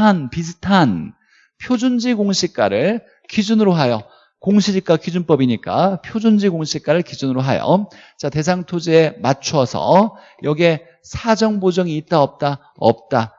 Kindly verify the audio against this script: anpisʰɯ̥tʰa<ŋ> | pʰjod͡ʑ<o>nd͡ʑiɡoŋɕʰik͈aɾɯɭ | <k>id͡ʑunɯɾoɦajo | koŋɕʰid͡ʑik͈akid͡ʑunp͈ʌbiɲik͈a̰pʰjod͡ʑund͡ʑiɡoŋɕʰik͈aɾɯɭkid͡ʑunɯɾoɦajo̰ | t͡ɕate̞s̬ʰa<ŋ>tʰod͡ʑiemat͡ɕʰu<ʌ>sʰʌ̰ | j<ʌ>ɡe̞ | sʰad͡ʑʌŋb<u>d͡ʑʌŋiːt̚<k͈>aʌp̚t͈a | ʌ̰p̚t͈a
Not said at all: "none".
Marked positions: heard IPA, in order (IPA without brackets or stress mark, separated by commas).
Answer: n, u, k, ŋ, ʌ, ʌ, o, t͈